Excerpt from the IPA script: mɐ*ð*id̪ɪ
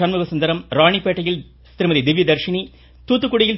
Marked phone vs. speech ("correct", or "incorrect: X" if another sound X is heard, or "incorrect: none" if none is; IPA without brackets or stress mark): correct